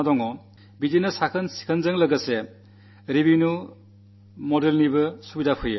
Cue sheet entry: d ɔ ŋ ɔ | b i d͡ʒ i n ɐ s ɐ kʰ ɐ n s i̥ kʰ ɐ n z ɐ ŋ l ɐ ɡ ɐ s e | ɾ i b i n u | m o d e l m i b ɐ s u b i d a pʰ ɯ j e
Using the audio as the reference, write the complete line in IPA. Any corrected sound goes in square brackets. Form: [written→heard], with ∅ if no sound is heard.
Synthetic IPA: d ɔ ŋ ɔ | b i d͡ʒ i n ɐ s [ɐ→a] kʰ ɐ n s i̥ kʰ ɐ n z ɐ ŋ l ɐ ɡ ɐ s e | ɾ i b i n u | m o d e l [m→n] i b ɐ s u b i d a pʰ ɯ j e